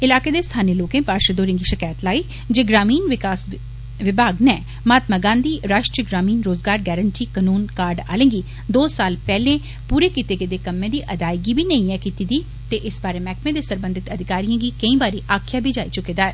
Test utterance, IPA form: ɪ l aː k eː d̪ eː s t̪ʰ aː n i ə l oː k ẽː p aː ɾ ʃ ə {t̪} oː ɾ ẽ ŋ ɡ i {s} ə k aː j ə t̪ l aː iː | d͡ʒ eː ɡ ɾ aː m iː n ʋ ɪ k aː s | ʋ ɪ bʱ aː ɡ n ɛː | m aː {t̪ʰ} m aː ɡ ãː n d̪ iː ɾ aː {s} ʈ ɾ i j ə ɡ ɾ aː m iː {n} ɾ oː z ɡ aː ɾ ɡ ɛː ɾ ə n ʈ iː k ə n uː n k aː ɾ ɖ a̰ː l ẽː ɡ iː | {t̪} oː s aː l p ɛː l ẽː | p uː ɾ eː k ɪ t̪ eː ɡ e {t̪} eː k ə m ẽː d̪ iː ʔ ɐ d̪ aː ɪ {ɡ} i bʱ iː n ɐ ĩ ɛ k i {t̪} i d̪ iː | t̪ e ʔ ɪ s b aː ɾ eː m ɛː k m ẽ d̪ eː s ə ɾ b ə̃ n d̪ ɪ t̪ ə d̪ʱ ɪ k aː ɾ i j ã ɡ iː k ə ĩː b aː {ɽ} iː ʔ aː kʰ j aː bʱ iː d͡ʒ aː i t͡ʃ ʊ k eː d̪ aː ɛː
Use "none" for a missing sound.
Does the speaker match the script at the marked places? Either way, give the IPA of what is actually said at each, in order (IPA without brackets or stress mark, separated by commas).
d̪, ʃ, t̪, ʃ, n, d̪, d̪, ɡ, t̪, ɾ